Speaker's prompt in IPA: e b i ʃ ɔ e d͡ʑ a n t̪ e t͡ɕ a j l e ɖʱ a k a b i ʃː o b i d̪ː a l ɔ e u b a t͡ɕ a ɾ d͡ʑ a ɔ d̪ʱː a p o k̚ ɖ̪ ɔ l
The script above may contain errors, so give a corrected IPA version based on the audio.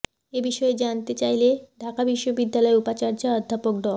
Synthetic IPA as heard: e b i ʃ ɔ e d͡ʑ a n t̪ e t͡ɕ a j l e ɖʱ a k a b i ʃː o b i d̪ː a l ɔ e u p a t͡ɕ a ɾ d͡ʑ a ɔ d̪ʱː a p o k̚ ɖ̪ ɔ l